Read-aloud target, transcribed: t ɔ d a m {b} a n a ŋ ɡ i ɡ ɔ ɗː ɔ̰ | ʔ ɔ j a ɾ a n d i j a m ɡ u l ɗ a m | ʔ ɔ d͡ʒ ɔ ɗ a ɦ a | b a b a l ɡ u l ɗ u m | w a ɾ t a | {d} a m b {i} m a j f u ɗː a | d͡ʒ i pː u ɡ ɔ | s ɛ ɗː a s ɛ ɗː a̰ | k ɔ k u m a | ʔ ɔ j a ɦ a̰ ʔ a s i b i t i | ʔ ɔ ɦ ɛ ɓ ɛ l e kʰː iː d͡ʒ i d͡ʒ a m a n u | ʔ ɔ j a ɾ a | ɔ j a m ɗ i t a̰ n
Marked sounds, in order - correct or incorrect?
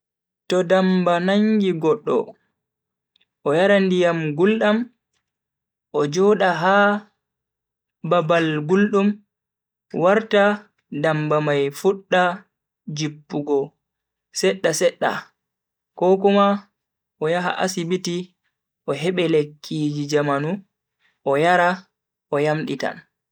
correct, correct, incorrect

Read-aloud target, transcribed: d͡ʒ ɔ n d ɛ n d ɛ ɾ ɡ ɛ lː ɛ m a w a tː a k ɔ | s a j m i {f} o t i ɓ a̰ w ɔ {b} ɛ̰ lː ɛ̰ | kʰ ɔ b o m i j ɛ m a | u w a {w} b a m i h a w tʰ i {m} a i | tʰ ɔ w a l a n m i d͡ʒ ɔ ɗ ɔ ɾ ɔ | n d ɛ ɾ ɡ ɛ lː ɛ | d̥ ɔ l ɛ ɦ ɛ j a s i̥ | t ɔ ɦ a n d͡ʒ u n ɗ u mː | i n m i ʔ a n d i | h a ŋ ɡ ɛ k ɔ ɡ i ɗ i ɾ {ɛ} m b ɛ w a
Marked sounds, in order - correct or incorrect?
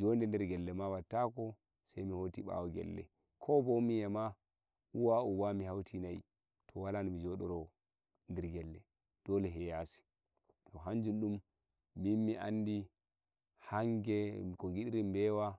incorrect, incorrect, incorrect, incorrect, incorrect

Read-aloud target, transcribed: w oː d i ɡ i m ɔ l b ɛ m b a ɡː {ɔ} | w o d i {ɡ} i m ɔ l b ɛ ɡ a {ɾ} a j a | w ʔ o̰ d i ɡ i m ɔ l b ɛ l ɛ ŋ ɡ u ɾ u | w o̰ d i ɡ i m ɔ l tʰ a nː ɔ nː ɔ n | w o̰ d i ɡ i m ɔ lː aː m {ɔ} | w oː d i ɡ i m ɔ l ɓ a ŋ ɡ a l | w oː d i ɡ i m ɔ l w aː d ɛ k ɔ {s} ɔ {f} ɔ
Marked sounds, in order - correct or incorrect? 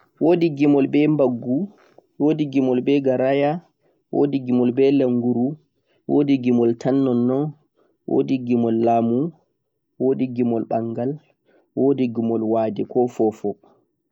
incorrect, correct, correct, incorrect, incorrect, correct

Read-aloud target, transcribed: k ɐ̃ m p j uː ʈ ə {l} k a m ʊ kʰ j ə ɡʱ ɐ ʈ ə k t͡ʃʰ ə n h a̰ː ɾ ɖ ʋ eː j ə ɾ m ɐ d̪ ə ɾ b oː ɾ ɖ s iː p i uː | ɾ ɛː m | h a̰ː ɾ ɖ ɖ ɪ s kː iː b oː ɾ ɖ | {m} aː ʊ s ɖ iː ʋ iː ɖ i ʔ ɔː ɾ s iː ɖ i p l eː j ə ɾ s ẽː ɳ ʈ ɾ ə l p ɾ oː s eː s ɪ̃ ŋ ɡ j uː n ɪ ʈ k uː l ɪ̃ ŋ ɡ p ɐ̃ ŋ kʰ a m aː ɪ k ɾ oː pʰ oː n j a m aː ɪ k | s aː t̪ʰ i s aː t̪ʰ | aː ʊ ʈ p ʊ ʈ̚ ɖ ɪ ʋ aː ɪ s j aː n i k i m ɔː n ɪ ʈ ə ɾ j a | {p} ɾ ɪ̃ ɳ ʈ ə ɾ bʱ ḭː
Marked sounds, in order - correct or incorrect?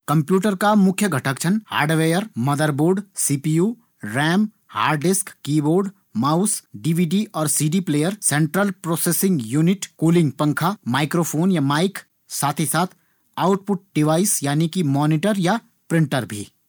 incorrect, correct, correct

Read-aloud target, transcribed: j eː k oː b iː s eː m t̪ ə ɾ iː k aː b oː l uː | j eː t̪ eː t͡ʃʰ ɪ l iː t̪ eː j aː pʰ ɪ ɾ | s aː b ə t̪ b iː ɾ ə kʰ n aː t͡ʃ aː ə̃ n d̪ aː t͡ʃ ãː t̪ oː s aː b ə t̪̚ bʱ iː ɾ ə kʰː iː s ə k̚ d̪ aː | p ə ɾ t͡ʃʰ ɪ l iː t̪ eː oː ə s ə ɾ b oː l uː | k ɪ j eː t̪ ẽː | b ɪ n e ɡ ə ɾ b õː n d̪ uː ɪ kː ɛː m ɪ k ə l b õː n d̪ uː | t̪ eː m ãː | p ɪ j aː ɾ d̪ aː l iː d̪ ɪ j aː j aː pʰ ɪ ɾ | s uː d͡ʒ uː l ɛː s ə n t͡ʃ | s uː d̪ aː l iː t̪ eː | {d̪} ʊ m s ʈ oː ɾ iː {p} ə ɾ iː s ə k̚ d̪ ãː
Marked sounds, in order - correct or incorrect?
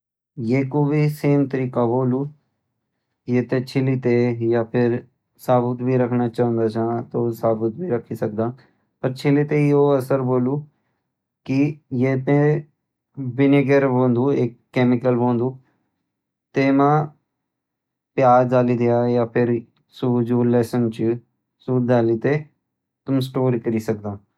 incorrect, incorrect

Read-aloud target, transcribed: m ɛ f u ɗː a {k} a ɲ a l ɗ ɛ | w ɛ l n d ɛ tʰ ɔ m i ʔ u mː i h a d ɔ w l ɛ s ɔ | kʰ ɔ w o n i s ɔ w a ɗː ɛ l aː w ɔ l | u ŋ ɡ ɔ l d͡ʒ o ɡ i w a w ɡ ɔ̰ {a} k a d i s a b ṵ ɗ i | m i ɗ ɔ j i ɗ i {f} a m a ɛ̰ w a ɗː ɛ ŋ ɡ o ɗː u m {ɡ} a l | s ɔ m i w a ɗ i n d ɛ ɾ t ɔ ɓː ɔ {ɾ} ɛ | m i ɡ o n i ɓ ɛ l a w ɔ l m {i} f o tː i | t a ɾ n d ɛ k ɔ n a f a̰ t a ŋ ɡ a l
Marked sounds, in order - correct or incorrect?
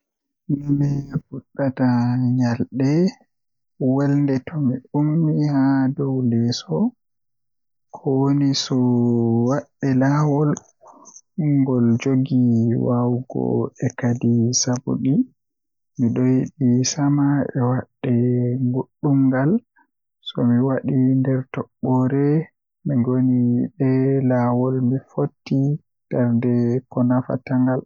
incorrect, incorrect, incorrect, correct, correct, correct

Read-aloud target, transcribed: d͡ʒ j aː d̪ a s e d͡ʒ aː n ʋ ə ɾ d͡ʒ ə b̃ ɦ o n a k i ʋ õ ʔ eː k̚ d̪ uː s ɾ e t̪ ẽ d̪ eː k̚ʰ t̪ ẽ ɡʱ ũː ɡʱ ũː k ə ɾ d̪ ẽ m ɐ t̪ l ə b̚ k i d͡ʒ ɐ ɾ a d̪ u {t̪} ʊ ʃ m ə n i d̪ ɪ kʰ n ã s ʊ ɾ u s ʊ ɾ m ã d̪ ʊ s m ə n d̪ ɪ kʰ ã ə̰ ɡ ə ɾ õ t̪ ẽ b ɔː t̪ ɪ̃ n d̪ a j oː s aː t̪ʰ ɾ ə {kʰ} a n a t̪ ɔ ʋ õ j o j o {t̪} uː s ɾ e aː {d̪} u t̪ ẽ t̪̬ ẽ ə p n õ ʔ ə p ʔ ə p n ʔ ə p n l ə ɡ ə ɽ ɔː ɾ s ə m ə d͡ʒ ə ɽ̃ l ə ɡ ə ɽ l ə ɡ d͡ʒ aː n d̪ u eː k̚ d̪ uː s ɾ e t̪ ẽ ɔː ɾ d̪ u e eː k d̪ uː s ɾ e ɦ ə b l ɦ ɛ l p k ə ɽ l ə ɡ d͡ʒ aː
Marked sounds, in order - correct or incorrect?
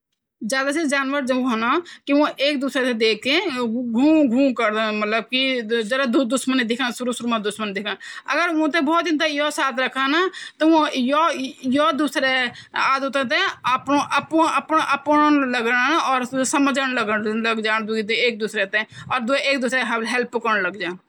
incorrect, correct, incorrect, correct

